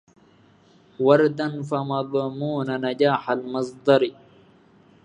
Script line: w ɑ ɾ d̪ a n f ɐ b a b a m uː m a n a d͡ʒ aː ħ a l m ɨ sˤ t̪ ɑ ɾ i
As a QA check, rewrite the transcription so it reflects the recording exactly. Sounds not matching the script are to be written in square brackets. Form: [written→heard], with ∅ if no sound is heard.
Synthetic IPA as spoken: w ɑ ɾ d̪ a n f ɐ [b→m] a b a m uː [m→n] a n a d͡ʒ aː ħ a l m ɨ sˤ [t̪→d̪] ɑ ɾ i